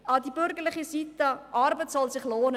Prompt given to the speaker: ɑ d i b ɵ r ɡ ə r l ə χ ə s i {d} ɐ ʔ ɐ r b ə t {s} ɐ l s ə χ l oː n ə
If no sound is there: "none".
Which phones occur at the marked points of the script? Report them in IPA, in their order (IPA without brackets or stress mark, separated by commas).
t, s